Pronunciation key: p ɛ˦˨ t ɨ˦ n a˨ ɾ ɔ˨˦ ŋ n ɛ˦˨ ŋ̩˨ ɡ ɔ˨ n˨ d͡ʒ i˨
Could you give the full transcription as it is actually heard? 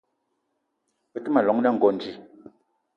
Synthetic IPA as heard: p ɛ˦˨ t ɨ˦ m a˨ l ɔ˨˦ ŋ n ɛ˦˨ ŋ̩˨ ɡ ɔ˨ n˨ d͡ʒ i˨